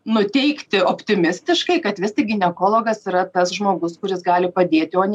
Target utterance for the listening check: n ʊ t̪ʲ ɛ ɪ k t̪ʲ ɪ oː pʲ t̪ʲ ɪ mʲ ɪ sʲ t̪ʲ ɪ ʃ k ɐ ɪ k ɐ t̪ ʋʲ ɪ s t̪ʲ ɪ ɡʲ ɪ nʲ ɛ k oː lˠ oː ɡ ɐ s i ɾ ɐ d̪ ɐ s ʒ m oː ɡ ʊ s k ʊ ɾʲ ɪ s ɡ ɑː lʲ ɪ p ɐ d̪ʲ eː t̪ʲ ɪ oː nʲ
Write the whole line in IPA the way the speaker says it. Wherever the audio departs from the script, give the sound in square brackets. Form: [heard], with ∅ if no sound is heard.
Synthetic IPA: n ʊ t̪ʲ ɛ ɪ k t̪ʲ ɪ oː pʲ t̪ʲ ɪ mʲ ɪ sʲ t̪ʲ ɪ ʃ k ɐ ɪ k ɐ t̪ ʋʲ ɪ s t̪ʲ ɪ ɡʲ ɪ nʲ ɛ k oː lˠ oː ɡ ɐ s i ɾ ɐ [t̪] ɐ s ʒ m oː ɡ ʊ s k ʊ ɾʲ ɪ s ɡ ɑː lʲ ɪ p ɐ d̪ʲ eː t̪ʲ ɪ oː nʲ

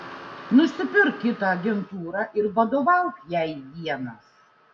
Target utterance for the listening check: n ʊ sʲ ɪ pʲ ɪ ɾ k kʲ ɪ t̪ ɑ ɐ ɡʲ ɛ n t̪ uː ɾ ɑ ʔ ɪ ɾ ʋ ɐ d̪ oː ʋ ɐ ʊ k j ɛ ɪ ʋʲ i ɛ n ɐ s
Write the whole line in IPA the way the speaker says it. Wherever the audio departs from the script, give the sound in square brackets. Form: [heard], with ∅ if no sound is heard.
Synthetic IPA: n ʊ sʲ ɪ pʲ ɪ ɾ k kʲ ɪ t̪ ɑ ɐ ɡʲ ɛ n t̪ uː ɾ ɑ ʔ ɪ ɾ ʋ ɐ d̪ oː ʋ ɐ ʊ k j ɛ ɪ ʋʲ i ɛ n ɐ s

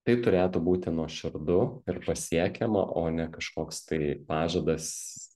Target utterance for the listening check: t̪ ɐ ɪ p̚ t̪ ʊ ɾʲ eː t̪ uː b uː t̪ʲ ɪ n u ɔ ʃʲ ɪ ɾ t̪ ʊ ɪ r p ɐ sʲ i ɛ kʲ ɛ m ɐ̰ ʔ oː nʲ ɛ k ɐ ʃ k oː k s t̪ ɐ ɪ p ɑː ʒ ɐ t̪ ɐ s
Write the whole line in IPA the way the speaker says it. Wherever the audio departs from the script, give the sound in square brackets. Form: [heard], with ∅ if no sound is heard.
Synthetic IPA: t̪ ɐ ɪ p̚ t̪ ʊ ɾʲ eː t̪ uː b uː t̪ʲ ɪ n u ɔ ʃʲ ɪ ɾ [d̪] ʊ ɪ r p ɐ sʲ i ɛ kʲ ɛ m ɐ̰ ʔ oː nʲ ɛ k ɐ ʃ k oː k s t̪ ɐ ɪ p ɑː ʒ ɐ [d̪] ɐ s

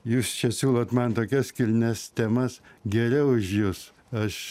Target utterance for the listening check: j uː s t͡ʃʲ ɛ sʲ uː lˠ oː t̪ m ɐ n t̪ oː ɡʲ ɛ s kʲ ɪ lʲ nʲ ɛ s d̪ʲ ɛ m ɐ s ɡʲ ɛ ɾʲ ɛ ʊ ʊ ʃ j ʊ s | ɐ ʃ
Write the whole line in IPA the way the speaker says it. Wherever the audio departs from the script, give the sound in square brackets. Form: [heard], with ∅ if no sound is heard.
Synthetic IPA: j uː s t͡ʃʲ ɛ sʲ uː lˠ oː t̪ m ɐ n t̪ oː [kʲ] ɛ s kʲ ɪ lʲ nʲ ɛ s [t̪ʲ] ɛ m ɐ s ɡʲ ɛ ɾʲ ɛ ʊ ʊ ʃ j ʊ s | ɐ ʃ

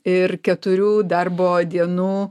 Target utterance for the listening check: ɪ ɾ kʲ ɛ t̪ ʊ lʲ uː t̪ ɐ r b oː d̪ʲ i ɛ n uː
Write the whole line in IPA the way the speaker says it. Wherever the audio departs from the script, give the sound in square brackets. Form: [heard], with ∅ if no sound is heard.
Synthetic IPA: ɪ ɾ kʲ ɛ t̪ ʊ [ɾʲ] uː [d̪] ɐ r b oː d̪ʲ i ɛ n uː

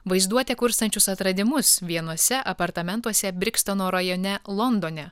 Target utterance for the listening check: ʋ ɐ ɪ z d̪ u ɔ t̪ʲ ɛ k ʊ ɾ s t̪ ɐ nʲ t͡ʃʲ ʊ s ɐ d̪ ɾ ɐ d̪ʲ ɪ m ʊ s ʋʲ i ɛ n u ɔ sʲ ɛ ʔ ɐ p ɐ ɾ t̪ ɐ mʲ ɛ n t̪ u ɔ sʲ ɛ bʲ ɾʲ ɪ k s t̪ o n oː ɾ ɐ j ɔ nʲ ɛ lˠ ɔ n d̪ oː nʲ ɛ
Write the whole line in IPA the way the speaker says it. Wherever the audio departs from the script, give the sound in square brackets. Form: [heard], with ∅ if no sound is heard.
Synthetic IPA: ʋ ɐ ɪ z d̪ u ɔ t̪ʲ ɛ k ʊ ɾ s t̪ ɐ nʲ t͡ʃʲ ʊ s ɐ [t̪] ɾ ɐ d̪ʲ ɪ m ʊ s ʋʲ i ɛ n u ɔ sʲ ɛ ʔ ɐ p ɐ ɾ t̪ ɐ mʲ ɛ n t̪ u ɔ sʲ ɛ bʲ ɾʲ ɪ k s t̪ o n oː ɾ ɐ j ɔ nʲ ɛ lˠ ɔ n d̪ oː nʲ ɛ

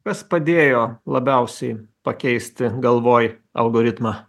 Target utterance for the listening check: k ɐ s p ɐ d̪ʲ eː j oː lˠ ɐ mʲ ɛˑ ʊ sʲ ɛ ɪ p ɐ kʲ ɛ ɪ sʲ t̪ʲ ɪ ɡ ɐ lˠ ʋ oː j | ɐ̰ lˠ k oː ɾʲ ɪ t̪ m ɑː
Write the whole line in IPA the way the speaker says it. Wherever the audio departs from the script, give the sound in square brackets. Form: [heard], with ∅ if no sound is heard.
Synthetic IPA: k ɐ s p ɐ d̪ʲ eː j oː lˠ ɐ [bʲ] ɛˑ ʊ sʲ ɛ ɪ p ɐ kʲ ɛ ɪ sʲ t̪ʲ ɪ ɡ ɐ lˠ ʋ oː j | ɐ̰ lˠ [ɡ] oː ɾʲ ɪ t̪ m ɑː

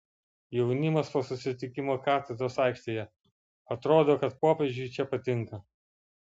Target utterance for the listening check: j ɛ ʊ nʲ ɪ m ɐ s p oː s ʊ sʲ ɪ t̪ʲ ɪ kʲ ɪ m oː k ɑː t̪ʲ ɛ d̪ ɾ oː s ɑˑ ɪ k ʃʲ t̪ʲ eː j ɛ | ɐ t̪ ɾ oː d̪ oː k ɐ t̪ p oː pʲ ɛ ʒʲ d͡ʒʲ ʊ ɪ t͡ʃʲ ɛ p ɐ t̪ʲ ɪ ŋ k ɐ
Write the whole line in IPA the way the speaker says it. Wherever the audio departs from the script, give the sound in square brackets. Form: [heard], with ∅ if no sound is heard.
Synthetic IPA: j ɛ ʊ nʲ ɪ m ɐ s p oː s ʊ sʲ ɪ t̪ʲ ɪ kʲ ɪ m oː k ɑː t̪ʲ ɛ d̪ ɾ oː s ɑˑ ɪ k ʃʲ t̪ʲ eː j ɛ | ɐ t̪ ɾ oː d̪ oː k ɐ t̪ p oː pʲ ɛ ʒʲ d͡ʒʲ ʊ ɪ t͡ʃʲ ɛ p ɐ t̪ʲ ɪ ŋ k ɐ

